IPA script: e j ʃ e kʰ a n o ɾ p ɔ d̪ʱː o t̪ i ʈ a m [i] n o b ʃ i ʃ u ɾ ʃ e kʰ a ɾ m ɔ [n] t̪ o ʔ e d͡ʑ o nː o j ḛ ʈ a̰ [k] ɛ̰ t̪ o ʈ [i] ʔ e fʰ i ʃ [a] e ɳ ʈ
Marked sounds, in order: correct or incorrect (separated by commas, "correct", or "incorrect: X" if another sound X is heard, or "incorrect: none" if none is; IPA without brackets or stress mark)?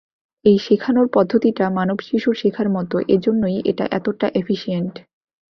incorrect: a, incorrect: none, incorrect: ʔ, incorrect: a, incorrect: i